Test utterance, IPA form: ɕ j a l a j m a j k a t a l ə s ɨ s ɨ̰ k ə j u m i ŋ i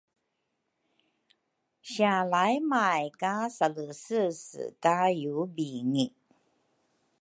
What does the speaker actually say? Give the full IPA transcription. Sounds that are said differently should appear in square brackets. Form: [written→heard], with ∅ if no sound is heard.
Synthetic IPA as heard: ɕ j a l a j m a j k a [t→s] a l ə s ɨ s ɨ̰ k [ə→a] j u [m→b] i ŋ i